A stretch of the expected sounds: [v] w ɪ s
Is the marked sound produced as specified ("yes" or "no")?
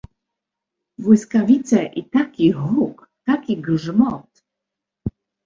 yes